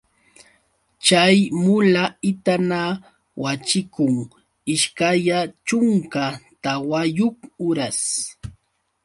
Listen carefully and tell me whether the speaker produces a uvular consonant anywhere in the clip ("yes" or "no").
no